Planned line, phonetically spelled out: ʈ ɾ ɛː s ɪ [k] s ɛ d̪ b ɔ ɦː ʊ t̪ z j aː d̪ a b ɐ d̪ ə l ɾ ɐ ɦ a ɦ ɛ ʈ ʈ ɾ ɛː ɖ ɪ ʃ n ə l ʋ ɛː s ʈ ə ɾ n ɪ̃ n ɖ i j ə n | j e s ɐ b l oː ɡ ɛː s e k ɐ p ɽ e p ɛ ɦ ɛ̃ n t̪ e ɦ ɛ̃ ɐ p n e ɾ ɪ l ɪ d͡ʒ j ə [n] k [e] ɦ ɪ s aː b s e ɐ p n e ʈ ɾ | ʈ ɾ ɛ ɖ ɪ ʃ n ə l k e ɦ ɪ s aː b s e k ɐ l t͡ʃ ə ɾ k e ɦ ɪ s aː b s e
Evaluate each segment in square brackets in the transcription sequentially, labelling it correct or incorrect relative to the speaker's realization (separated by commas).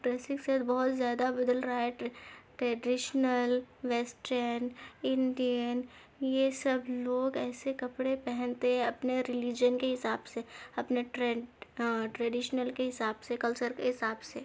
correct, correct, correct